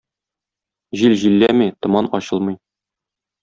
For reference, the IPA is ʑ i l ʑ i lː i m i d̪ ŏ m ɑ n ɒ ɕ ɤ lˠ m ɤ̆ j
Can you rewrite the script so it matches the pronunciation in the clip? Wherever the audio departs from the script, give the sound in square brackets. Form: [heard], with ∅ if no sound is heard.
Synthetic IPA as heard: ʑ i l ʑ i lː [æ] m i [t̪] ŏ m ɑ n ɒ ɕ ɤ lˠ m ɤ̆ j